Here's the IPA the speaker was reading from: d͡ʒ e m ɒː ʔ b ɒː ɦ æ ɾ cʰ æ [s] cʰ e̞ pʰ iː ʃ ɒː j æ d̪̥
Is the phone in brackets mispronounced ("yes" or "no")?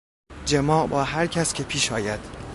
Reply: no